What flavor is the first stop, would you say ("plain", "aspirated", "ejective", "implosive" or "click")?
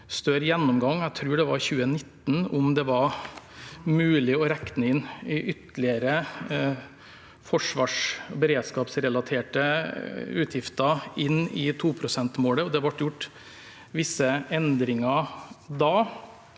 plain